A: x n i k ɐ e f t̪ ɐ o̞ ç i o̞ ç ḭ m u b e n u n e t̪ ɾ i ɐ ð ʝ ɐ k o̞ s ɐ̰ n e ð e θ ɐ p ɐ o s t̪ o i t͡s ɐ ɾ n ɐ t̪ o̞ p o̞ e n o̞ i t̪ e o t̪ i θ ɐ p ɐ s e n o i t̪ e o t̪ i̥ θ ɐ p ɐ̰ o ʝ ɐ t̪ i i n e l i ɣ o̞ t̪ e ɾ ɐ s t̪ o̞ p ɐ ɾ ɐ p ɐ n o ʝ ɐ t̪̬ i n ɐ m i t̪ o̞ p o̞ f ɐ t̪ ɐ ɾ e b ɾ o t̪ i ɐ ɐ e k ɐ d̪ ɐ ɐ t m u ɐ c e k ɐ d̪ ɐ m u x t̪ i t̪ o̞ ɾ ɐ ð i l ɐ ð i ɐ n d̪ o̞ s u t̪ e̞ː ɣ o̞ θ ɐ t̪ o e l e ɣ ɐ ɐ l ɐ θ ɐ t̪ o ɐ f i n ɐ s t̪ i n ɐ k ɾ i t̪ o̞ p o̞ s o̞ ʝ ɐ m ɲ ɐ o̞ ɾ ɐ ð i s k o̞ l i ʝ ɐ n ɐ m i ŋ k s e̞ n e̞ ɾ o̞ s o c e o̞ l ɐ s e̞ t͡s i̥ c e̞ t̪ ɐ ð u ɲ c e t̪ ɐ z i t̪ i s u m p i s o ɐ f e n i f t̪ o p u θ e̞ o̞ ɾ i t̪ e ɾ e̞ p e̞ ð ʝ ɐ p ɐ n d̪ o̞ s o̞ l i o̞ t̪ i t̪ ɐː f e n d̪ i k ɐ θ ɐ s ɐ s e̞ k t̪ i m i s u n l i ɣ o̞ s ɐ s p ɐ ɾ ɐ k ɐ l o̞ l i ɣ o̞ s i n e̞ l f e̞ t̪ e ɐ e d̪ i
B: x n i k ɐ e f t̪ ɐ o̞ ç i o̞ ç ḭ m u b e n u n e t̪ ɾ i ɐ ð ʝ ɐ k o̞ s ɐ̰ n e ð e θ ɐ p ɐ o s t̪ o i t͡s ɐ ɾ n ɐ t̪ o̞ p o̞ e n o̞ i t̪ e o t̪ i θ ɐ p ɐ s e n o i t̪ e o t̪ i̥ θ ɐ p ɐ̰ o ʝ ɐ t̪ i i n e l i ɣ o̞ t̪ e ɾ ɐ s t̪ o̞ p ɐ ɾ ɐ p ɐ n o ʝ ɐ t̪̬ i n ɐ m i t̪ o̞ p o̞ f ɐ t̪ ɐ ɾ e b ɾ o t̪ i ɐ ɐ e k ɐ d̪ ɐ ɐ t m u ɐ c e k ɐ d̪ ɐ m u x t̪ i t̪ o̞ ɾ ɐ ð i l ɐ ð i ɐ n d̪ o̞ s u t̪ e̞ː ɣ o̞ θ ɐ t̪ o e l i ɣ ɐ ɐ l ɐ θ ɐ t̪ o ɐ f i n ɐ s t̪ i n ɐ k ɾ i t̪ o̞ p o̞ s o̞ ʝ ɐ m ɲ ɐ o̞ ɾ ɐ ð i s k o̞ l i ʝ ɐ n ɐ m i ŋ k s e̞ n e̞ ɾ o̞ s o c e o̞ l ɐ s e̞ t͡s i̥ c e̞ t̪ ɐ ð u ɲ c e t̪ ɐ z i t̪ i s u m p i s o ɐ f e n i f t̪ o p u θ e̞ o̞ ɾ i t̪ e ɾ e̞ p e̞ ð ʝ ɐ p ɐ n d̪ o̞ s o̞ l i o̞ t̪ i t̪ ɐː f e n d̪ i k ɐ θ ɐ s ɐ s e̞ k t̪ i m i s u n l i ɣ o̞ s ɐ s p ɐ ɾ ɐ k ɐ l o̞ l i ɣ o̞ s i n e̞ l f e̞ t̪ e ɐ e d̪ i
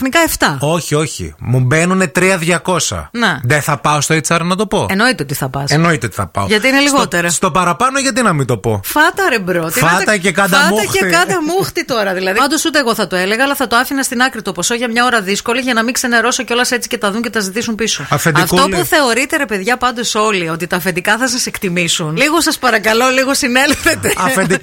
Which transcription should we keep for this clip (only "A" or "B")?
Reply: A